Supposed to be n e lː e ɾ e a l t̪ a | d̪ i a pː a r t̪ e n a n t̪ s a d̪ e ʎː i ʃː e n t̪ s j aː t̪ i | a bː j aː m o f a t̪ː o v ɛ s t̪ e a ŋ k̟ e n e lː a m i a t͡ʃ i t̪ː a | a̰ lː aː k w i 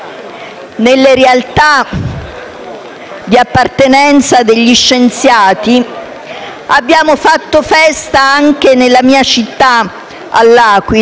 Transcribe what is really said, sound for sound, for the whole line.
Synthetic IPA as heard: n e lː e ɾ e a l t̪ a | d̪ i a pː a r t̪ e n ɛ n t̪ s a d̪ e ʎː i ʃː e n t̪ s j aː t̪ i | a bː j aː m o f a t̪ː o f ɛ s t̪ a a ŋ k̟ e n e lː a m iː a t͡ʃ i t̪ː a | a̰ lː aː k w i